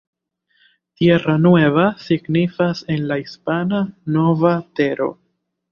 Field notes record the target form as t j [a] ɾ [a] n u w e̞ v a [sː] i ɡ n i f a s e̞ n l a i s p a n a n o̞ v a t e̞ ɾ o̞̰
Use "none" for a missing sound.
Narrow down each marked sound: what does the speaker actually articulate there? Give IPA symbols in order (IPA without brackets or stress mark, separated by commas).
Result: e, a, s